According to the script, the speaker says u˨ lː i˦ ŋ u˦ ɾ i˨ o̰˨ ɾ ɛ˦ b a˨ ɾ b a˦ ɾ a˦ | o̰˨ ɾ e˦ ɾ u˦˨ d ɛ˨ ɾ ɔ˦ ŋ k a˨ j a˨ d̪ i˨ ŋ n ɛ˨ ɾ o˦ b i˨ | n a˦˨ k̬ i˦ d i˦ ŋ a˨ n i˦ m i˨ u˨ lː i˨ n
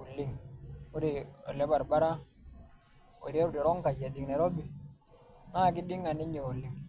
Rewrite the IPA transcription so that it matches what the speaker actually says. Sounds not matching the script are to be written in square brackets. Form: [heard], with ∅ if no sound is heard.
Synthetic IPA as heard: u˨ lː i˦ ŋ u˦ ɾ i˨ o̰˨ [l] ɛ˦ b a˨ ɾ b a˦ ɾ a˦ | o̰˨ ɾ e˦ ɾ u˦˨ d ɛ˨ ɾ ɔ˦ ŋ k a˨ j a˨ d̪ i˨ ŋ n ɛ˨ ɾ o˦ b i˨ | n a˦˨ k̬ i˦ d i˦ ŋ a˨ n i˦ [ɲ] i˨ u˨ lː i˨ [ŋ]